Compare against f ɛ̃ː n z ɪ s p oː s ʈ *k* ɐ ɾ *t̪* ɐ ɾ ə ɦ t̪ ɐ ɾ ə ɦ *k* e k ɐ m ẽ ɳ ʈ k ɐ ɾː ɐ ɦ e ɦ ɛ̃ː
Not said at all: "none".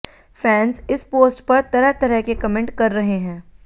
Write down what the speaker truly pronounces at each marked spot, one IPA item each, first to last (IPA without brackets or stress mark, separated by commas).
p, t̪, k